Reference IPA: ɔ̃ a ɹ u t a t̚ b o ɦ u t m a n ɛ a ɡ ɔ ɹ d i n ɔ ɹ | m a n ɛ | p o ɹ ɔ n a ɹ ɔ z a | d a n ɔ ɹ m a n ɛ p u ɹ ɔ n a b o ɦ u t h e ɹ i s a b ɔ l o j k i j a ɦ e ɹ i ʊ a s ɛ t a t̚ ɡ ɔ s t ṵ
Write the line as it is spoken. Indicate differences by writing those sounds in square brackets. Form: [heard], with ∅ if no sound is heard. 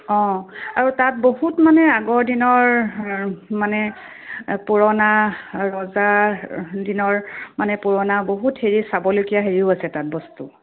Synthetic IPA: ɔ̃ a ɹ u t a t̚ b o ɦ u t m a n ɛ a ɡ ɔ ɹ d i n ɔ ɹ | m a n ɛ | p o ɹ ɔ n a ɹ ɔ z a | d [i] n ɔ ɹ m a n ɛ p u ɹ ɔ n a b o ɦ u t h e ɹ i s a b ɔ l o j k i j a ɦ e ɹ i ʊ a s ɛ t a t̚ [b] ɔ s t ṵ